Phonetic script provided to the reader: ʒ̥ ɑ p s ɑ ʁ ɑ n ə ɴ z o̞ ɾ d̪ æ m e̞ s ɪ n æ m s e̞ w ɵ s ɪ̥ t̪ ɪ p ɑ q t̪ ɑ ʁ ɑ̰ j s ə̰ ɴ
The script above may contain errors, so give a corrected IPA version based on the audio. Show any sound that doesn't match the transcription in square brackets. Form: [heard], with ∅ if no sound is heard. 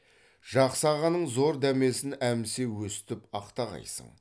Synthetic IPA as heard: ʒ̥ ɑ [q] s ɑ ʁ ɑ n ə ɴ z o̞ ɾ d̪ æ m e̞ s ɪ n æ m s e̞ w ɵ s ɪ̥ t̪ ɪ p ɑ q t̪ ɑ ʁ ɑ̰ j s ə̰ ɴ